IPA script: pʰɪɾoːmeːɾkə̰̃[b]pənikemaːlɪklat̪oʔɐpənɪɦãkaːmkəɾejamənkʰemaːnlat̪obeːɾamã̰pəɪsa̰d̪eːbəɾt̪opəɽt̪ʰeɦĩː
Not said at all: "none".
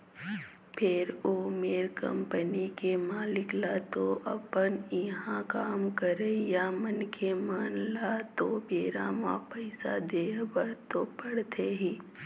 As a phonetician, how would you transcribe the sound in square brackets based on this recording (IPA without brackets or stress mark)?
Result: m